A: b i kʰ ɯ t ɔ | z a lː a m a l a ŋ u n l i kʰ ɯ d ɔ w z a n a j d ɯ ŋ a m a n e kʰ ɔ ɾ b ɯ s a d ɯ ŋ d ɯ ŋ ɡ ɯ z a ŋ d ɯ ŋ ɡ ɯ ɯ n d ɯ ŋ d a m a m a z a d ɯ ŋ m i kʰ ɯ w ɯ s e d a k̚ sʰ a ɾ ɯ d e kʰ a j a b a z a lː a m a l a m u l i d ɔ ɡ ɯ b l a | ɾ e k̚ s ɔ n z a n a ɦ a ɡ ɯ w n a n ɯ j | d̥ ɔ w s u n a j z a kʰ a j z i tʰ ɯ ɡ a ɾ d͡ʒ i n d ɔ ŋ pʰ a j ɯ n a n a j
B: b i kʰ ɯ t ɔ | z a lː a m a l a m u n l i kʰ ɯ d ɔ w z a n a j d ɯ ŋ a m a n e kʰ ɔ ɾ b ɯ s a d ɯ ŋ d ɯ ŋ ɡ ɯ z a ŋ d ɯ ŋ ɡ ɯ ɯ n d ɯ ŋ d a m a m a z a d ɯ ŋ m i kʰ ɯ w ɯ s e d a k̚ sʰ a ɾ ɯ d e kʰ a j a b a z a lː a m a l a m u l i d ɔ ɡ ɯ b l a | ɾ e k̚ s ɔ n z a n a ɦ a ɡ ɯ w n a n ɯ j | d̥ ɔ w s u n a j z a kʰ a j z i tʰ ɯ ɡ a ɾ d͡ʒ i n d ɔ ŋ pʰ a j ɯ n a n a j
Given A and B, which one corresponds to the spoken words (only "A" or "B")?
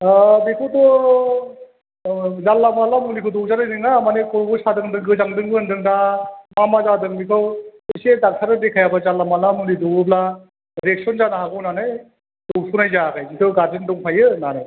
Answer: B